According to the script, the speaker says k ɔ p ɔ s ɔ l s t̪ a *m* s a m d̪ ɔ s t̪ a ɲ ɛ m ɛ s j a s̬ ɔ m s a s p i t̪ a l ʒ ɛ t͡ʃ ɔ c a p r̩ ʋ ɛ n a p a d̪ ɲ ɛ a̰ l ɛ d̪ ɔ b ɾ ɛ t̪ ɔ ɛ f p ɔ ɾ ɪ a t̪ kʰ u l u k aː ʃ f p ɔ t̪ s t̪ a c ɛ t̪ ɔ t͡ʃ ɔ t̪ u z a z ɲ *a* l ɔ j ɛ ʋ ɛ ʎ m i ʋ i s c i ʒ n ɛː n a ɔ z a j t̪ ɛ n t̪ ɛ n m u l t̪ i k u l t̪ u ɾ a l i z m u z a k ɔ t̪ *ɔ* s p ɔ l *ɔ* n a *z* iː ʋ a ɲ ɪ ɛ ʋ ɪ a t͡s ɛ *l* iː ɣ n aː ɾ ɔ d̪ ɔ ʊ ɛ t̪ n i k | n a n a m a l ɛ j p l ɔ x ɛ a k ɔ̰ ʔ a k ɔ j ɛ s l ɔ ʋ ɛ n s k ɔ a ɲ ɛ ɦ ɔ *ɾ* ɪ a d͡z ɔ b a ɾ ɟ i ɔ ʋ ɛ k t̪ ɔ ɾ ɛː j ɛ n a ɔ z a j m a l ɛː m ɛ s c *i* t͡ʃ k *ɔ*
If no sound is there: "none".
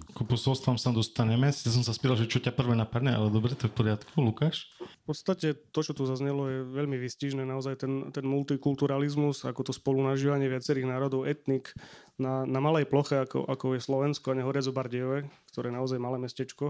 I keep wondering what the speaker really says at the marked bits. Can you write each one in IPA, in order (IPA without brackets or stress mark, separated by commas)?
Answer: m, ɛ, ɔ, u, ʒ, ɾ, ɾ, ɛ, ɔ